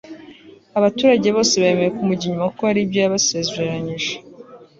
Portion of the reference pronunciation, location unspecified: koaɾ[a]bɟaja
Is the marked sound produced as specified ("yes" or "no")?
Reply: no